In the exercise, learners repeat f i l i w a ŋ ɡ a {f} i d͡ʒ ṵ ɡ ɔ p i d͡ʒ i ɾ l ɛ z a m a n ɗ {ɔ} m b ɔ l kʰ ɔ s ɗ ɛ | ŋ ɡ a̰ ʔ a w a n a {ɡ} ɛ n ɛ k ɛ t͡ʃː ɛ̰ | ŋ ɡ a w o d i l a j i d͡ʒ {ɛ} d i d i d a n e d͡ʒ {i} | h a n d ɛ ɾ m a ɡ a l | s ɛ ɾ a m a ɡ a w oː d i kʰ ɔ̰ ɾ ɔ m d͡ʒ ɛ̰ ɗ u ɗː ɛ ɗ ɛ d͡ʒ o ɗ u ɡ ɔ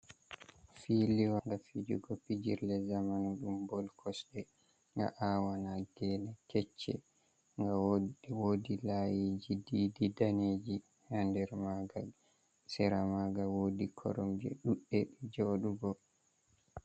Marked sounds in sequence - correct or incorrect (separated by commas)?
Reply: correct, incorrect, correct, incorrect, correct